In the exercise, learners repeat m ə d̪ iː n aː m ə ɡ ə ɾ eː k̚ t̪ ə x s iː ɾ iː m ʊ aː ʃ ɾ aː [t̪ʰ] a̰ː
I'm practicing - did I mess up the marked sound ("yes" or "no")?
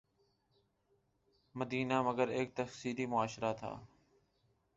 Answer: no